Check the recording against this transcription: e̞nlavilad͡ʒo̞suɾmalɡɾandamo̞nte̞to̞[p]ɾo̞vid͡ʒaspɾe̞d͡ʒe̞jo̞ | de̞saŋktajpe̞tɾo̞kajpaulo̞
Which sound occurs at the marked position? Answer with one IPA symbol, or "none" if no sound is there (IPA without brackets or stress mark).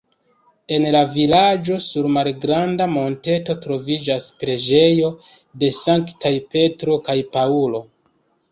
t